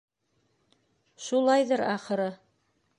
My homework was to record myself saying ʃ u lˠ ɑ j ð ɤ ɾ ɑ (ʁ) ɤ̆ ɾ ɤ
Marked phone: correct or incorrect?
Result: incorrect